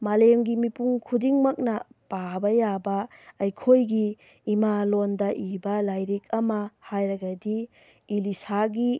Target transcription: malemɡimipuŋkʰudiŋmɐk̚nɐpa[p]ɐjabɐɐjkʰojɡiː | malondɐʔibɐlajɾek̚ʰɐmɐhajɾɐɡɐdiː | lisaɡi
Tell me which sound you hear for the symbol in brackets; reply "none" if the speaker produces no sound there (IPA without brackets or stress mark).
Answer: b